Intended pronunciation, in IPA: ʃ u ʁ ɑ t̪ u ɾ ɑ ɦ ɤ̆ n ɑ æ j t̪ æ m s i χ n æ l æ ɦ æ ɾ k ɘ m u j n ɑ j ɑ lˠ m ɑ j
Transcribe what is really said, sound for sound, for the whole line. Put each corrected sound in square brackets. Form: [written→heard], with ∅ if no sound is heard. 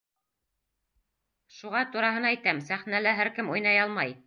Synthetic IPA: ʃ u ʁ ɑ t̪ u ɾ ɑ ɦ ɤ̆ n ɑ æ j t̪ æ m s [i→æ] χ n æ l æ ɦ æ ɾ k ɘ m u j n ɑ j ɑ lˠ m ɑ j